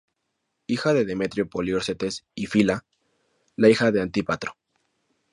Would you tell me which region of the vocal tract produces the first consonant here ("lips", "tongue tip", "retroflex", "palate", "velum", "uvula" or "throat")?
velum